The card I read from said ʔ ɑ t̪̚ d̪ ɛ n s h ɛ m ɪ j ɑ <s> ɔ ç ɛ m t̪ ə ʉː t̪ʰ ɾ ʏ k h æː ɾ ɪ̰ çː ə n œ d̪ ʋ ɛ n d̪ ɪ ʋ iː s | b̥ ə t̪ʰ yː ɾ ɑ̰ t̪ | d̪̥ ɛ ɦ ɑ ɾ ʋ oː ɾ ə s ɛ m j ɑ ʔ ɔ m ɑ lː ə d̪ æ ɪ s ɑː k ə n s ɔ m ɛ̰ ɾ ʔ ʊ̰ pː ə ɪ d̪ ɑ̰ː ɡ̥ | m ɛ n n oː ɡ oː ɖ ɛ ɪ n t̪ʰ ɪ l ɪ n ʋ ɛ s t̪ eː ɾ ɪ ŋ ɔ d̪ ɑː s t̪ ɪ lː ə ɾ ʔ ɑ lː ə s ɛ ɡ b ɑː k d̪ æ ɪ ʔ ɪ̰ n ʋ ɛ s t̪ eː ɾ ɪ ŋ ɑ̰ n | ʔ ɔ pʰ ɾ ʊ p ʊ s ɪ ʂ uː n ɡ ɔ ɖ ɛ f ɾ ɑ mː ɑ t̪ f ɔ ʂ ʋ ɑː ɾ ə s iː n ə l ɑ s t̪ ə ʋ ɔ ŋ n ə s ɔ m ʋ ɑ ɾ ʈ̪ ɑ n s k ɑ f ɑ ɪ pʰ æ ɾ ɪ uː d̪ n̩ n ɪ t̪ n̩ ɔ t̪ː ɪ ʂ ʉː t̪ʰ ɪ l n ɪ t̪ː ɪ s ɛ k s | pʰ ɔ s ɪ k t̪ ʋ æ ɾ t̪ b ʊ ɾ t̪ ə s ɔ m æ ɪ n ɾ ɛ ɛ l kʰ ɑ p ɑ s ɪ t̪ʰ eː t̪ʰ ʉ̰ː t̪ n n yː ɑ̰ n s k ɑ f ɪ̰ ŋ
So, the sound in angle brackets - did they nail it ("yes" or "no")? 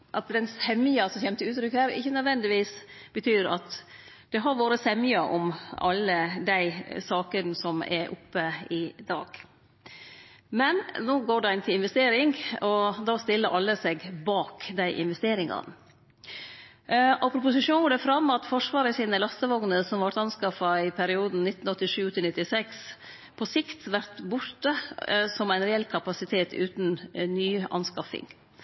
yes